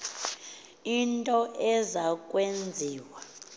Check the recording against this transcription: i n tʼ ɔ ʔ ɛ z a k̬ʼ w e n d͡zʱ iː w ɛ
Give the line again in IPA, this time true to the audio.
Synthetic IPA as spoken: i n tʼ ɔ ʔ ɛ z a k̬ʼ w e n d͡zʱ iː w a